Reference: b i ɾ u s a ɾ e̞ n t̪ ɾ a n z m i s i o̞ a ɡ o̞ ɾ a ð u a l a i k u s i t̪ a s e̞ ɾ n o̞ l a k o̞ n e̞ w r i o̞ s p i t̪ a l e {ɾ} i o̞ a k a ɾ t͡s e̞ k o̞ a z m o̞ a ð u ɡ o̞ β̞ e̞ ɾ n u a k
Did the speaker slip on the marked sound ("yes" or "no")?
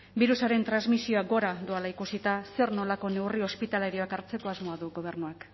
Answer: no